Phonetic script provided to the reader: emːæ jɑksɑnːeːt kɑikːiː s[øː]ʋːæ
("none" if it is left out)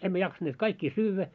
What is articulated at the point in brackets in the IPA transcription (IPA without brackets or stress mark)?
yː